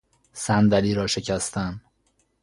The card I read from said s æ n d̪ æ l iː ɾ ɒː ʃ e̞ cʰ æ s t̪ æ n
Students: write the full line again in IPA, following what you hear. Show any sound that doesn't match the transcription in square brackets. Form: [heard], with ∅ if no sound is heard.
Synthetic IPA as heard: s æ n d̪ æ l iː ɾ ɒː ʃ e̞ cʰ æ s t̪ æ n

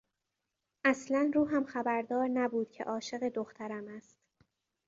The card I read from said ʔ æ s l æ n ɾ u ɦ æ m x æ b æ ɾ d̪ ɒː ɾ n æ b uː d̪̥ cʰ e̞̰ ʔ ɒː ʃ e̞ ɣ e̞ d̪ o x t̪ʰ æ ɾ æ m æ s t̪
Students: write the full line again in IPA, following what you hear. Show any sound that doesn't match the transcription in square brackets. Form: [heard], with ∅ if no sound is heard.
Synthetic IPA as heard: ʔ æ s l æ n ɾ [uː] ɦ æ m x æ b æ ɾ d̪ ɒː ɾ n æ b uː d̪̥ cʰ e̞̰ ʔ ɒː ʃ e̞ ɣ e̞ d̪ o x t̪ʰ æ ɾ æ m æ s t̪

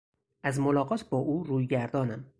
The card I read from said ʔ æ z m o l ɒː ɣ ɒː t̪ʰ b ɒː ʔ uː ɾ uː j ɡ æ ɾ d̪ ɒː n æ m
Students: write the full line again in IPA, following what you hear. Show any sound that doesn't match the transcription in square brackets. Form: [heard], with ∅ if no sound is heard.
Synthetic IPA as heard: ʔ æ z m o l ɒː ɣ ɒː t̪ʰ b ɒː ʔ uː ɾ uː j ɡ æ ɾ d̪ ɒː n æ m

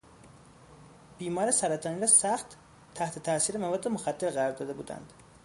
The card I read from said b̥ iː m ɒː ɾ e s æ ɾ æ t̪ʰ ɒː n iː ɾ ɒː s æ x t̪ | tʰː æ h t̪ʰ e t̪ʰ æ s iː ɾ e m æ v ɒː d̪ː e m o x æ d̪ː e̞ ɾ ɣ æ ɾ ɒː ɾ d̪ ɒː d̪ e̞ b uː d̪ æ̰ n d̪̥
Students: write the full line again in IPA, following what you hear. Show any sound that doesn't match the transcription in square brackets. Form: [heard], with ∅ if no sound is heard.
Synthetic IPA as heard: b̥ iː m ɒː ɾ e s æ ɾ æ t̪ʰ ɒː n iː ɾ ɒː s æ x t̪ | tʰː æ h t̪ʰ e t̪ʰ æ s iː ɾ e m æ v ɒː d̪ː e m o x æ d̪ː e̞ ɾ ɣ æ ɾ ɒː ɾ d̪ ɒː d̪ e̞ b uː d̪ æ̰ n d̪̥

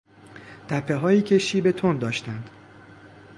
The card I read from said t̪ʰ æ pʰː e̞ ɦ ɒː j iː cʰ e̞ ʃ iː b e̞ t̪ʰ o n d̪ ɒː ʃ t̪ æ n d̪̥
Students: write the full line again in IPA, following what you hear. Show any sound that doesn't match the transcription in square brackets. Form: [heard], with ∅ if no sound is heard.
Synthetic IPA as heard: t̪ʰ æ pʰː e̞ ɦ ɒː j iː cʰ e̞ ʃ iː b e̞ t̪ʰ o n d̪ ɒː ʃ t̪ æ n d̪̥

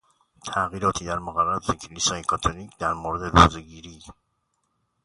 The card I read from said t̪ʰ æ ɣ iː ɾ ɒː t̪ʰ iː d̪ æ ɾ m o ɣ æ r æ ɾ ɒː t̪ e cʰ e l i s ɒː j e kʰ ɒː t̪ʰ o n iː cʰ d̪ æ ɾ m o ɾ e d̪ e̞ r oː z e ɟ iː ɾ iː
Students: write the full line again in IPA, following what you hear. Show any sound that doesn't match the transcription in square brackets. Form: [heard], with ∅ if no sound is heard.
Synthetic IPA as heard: t̪ʰ æ ɣ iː ɾ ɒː t̪ʰ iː d̪ æ ɾ m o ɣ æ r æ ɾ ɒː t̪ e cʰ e l i s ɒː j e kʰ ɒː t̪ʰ o n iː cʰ d̪ æ ɾ m o ɾ e d̪ e̞ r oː z e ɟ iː ɾ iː

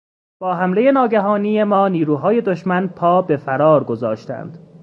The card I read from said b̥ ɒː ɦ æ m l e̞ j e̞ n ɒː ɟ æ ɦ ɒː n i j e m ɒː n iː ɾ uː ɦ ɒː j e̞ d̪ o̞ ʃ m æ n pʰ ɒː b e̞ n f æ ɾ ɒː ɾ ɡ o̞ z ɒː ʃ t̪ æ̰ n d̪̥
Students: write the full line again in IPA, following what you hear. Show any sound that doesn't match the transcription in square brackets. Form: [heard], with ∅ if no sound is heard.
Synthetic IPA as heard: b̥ ɒː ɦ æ m l e̞ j e̞ n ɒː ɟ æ ɦ ɒː n i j e m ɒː n iː ɾ uː ɦ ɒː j e̞ d̪ o̞ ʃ m æ n pʰ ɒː b e̞ [∅] f æ ɾ ɒː ɾ ɡ o̞ z ɒː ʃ t̪ æ̰ n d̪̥

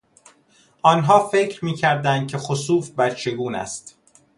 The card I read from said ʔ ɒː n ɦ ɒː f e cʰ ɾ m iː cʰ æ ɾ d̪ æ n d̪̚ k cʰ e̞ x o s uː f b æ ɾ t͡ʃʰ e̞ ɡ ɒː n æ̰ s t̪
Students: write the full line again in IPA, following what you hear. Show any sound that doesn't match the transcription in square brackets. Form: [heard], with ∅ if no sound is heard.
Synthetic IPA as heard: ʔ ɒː n ɦ ɒː f e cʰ ɾ m iː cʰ æ ɾ d̪ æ n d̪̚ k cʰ e̞ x o s uː f b æ ɾ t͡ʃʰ e̞ ɡ [uː] n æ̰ s t̪

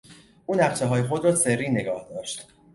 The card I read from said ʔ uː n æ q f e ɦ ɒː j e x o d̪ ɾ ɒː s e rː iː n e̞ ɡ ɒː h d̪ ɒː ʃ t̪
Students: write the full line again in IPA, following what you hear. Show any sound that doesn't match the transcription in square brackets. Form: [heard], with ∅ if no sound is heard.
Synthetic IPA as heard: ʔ uː n æ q [ʃ] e ɦ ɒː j e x o d̪ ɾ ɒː s e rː iː n e̞ ɡ ɒː h d̪ ɒː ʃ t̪

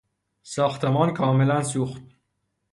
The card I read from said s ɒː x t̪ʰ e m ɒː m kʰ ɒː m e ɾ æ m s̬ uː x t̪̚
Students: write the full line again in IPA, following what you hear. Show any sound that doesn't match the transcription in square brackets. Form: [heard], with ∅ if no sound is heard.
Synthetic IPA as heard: s ɒː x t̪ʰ e m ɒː [n] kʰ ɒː m e [l] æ [n] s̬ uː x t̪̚

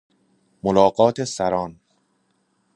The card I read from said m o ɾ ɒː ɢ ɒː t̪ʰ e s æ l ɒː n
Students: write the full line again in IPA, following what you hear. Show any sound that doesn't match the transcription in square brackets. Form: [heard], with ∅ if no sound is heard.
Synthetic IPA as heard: m o [l] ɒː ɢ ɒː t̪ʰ e s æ [ɾ] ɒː n

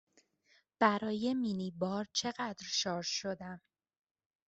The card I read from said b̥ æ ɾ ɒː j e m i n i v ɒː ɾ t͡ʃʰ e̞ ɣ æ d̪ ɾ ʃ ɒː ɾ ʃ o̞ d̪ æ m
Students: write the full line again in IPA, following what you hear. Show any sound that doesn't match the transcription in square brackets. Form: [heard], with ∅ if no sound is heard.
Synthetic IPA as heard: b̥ æ ɾ ɒː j e m i n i [b] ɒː ɾ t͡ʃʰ e̞ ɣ æ d̪ ɾ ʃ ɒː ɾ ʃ o̞ d̪ æ m

